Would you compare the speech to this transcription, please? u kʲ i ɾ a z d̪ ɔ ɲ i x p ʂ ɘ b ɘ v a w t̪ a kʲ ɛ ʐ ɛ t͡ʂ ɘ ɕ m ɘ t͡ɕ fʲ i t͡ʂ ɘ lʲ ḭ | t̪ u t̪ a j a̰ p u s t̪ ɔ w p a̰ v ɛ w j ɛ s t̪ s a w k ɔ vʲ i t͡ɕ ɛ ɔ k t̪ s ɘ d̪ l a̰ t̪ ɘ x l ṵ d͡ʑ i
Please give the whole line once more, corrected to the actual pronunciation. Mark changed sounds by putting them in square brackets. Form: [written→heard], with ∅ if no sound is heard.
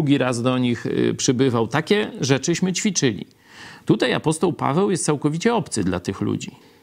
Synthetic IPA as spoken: u [kʲ→ɡʲ] i ɾ a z d̪ ɔ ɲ i x p ʂ ɘ b ɘ v a w t̪ a kʲ ɛ ʐ ɛ t͡ʂ ɘ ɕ m ɘ t͡ɕ fʲ i t͡ʂ ɘ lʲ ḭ | t̪ u t̪ a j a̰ p [u→ɔ] s t̪ ɔ w p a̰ v ɛ w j ɛ s t̪ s a w k ɔ vʲ i t͡ɕ ɛ ɔ [k→p] t̪ s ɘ d̪ l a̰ t̪ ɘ x l ṵ d͡ʑ i